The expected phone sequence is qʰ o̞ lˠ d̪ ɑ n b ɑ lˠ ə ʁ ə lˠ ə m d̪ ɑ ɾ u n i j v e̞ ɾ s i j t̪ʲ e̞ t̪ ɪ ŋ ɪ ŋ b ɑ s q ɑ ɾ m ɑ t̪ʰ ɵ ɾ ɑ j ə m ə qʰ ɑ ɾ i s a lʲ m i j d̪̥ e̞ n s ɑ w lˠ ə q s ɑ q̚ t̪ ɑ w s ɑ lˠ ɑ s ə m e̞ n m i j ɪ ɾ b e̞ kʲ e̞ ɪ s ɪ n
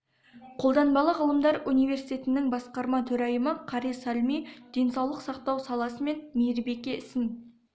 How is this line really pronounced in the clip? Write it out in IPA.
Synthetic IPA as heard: qʰ o̞ lˠ d̪ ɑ n b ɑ lˠ ə ʁ ə lˠ ə m d̪ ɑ ɾ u n i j v e̞ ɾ s i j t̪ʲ e̞ t̪ ɪ n ɪ ŋ b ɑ s q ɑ ɾ m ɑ t̪ʰ ɵ ɾ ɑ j ə m ə qʰ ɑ ɾ i s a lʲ m i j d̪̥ e̞ n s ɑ w lˠ ə q s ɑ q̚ t̪ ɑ w s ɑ lˠ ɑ s ə m e̞ n m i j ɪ ɾ b e̞ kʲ e̞ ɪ s ɪ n